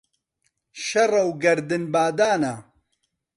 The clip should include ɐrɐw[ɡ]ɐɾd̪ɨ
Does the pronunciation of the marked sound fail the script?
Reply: no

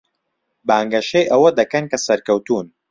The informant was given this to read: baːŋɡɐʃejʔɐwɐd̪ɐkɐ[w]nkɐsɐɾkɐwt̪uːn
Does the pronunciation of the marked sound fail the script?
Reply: yes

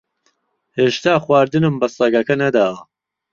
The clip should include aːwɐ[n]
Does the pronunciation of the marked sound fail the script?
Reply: yes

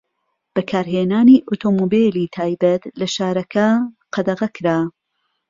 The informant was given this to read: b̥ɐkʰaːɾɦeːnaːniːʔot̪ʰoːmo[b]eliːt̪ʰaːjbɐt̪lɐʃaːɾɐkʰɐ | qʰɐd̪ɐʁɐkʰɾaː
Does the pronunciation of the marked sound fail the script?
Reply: no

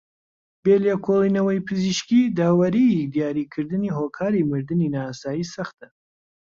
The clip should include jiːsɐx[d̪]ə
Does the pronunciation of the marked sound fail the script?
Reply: yes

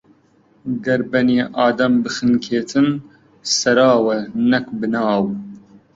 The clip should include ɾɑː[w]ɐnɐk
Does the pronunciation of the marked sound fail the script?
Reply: no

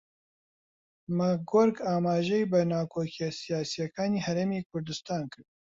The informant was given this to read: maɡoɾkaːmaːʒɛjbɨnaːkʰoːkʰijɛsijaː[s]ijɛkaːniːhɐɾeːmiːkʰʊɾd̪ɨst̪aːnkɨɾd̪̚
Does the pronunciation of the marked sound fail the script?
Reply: no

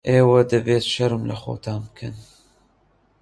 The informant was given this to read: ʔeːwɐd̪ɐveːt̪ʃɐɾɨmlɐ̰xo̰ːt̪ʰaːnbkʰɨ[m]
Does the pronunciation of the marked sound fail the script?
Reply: yes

